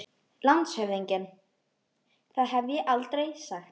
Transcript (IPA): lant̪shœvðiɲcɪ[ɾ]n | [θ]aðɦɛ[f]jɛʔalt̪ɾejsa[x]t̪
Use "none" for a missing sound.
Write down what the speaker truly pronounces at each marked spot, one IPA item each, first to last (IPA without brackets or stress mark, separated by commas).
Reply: none, θ, v, x